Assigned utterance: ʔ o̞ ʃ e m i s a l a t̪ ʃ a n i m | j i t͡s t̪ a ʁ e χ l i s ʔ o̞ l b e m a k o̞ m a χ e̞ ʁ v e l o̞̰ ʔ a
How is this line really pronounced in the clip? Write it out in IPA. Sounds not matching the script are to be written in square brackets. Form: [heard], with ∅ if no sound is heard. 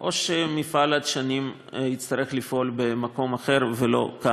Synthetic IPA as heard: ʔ o̞ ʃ e m i [f] a l a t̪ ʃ a n i m | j i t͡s t̪ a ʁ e χ l i [f] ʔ o̞ l b e m a k o̞ m a χ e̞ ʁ v e l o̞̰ [k] a